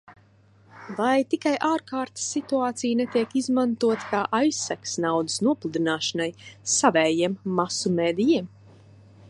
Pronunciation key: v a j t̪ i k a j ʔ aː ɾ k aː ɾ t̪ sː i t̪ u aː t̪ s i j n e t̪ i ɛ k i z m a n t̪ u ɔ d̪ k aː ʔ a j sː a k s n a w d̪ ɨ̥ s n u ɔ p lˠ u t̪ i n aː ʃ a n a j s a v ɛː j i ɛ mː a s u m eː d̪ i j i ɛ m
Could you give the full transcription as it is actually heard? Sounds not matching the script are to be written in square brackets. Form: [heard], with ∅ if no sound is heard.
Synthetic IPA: v a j t̪ i k a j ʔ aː ɾ k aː ɾ t̪ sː i t̪ u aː t̪ s i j n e t̪ i ɛ k i z m a n t̪ u ɔ [t̪] k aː ʔ a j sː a k s n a w d̪ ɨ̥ s n u ɔ p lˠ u [d̪] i n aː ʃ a n a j s a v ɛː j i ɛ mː a s u m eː d̪ i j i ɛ m